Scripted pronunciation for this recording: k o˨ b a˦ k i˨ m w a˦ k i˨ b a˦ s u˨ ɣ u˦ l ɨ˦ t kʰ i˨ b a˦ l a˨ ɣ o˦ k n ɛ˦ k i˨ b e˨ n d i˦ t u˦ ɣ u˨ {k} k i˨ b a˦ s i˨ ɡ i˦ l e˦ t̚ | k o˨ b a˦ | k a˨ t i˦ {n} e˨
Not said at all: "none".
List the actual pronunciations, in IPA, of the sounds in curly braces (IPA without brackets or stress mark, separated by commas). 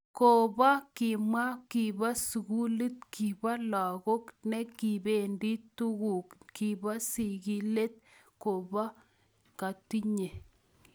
k, ɲ